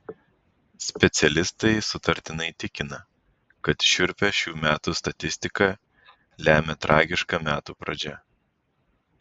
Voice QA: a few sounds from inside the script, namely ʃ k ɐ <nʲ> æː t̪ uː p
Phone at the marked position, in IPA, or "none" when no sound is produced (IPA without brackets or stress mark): mʲ